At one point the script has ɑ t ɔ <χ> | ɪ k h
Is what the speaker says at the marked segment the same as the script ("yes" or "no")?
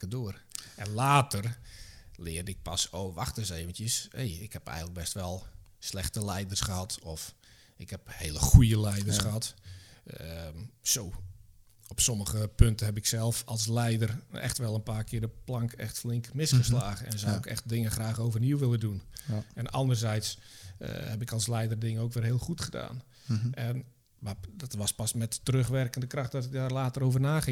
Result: no